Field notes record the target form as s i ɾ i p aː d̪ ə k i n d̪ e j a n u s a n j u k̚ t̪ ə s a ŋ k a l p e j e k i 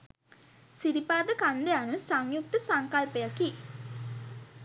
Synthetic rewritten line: s i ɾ i p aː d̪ ə k a n d̪ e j a n u s a ŋ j u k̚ t̪ ə s a ŋ k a l p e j a k i